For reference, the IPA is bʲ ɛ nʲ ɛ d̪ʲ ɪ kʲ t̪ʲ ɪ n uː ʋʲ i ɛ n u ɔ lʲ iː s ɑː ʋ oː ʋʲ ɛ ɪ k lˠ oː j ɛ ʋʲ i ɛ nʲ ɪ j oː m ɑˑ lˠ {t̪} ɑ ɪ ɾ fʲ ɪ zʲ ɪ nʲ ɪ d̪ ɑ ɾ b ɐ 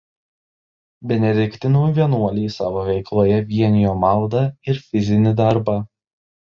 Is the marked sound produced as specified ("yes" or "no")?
no